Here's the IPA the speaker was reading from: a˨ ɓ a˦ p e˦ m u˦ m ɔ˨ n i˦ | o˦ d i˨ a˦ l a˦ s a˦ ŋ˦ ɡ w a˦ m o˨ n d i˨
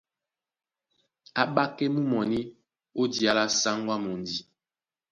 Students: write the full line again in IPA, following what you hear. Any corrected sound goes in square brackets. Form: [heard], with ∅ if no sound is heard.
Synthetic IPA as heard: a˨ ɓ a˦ [k] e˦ m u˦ m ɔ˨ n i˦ | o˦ d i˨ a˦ l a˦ s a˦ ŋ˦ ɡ w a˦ m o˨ n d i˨